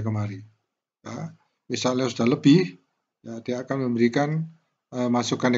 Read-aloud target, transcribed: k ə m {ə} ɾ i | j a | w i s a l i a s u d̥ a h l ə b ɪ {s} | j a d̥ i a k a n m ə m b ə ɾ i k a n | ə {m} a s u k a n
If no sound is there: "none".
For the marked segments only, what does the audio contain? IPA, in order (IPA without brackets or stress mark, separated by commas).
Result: a, h, m